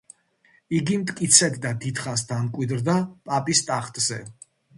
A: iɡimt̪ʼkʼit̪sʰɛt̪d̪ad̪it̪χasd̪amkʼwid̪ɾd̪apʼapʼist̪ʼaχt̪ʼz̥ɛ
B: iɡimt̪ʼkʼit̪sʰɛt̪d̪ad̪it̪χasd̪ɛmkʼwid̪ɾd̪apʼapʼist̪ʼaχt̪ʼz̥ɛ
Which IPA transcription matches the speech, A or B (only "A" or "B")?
A